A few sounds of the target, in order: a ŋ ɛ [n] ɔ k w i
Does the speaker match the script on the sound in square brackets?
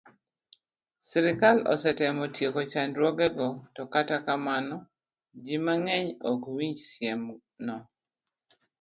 no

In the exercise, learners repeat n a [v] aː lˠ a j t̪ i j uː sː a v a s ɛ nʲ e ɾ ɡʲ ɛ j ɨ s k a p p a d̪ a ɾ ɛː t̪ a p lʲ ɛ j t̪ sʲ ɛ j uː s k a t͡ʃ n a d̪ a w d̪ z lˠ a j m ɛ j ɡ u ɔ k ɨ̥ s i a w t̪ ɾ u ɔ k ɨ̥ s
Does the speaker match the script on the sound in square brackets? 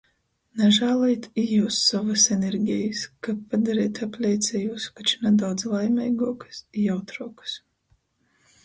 no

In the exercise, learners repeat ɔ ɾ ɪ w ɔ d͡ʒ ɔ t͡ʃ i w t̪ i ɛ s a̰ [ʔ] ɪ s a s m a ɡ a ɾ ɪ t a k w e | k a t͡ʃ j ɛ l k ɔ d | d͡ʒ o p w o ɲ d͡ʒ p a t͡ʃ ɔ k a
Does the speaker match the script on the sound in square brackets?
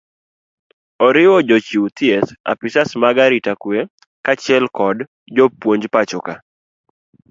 no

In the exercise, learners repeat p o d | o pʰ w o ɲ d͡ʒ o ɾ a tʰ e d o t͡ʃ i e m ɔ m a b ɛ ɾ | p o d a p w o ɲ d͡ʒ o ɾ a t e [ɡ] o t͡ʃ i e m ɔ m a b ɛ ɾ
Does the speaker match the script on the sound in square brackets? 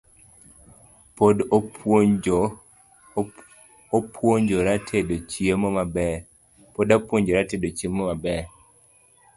no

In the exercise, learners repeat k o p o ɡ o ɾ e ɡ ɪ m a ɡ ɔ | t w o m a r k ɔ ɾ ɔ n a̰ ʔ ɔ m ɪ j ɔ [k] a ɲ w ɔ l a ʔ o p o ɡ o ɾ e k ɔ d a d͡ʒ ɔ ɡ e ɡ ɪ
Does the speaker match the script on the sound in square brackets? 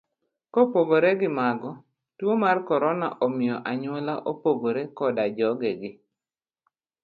no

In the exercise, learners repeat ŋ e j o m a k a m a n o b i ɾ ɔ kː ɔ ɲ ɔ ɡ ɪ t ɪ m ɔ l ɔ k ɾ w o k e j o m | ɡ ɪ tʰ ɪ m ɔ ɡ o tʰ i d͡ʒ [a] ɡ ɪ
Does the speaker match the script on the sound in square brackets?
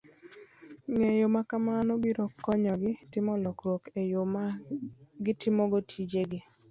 no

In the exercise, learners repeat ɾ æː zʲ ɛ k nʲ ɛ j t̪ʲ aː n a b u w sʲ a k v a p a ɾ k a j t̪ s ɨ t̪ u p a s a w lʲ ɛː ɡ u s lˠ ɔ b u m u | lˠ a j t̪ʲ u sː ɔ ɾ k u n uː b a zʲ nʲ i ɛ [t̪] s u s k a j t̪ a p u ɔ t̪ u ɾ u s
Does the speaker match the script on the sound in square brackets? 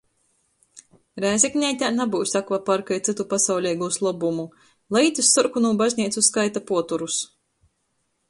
yes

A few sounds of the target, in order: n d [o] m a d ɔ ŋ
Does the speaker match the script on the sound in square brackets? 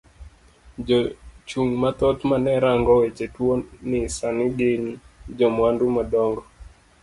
no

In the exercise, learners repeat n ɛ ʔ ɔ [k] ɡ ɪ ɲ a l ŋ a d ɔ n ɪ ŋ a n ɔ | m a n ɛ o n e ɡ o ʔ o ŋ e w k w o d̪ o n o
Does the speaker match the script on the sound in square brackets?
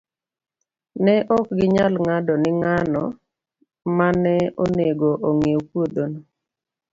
yes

